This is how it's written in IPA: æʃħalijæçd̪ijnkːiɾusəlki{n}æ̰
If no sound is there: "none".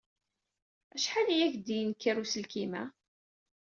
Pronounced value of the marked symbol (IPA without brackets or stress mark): m